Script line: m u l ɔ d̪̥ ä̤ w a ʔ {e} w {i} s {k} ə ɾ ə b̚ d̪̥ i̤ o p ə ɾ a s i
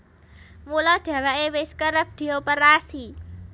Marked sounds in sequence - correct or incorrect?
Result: correct, incorrect, correct

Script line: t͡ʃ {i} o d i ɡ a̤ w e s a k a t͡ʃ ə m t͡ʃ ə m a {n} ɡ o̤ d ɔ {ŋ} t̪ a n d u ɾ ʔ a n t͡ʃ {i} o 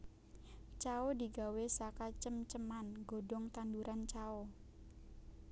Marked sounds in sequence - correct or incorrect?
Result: incorrect, correct, correct, incorrect

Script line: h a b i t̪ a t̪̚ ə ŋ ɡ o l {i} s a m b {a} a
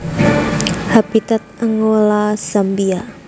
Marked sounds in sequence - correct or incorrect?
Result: incorrect, incorrect

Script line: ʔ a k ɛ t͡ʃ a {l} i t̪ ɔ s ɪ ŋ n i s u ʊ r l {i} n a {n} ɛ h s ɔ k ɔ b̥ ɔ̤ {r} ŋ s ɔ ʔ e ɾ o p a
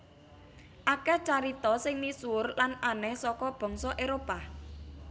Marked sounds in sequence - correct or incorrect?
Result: incorrect, incorrect, correct, incorrect

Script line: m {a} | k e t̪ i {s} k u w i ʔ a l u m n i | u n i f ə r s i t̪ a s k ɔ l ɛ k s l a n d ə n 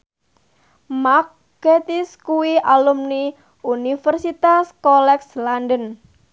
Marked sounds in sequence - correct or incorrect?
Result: correct, correct

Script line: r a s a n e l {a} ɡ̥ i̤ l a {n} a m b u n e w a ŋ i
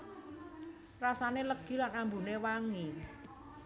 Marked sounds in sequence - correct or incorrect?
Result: incorrect, correct

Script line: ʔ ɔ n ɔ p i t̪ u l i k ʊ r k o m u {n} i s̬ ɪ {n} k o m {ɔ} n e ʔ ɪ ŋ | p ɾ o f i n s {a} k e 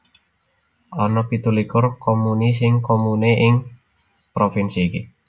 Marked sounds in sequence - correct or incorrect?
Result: correct, incorrect, incorrect, incorrect

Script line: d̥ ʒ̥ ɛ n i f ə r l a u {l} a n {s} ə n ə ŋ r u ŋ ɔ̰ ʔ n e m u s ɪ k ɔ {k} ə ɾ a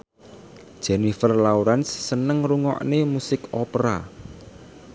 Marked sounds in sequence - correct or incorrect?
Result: incorrect, incorrect, incorrect

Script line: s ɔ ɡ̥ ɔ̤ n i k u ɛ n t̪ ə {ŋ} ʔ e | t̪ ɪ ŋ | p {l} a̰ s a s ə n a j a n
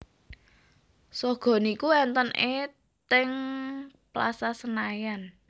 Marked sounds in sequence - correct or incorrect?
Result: incorrect, correct

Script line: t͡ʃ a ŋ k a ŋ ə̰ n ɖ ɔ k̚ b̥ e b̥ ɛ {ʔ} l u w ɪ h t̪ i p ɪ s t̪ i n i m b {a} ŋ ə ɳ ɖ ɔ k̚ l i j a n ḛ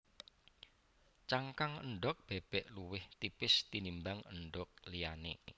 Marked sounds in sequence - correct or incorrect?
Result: correct, correct

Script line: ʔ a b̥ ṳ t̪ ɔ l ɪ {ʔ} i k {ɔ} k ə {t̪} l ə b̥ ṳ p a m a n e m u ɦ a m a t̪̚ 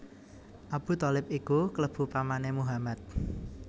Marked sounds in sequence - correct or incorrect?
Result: incorrect, incorrect, incorrect

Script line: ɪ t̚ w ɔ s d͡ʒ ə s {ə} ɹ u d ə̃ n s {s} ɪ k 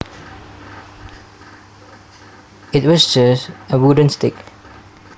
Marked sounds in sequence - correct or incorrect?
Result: correct, incorrect

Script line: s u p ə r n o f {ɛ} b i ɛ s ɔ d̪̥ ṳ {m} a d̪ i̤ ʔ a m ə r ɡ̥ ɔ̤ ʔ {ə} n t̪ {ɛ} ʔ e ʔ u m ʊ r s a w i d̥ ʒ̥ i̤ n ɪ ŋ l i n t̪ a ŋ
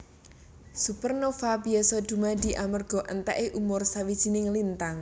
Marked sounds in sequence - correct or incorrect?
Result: incorrect, correct, correct, correct

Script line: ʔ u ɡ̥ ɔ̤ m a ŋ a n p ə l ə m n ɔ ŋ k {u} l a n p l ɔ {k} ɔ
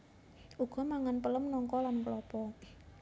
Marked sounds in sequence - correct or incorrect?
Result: incorrect, incorrect

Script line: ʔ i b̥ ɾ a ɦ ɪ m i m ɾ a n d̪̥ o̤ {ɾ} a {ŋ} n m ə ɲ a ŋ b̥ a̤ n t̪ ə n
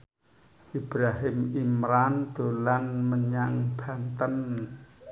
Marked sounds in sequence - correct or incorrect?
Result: incorrect, incorrect

